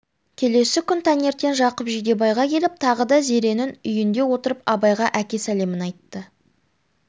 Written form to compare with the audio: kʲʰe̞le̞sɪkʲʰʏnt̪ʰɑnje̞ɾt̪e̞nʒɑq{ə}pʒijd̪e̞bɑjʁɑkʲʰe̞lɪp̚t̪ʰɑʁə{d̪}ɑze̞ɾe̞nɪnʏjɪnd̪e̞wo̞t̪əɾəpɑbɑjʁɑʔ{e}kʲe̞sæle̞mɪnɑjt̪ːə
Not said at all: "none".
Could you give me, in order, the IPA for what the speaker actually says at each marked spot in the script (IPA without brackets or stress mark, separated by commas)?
ə, d̪, æ